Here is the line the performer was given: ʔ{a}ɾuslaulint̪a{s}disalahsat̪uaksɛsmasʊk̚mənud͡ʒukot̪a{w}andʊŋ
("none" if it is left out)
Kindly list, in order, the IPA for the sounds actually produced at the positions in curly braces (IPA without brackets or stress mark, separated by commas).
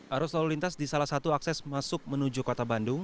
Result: a, s, b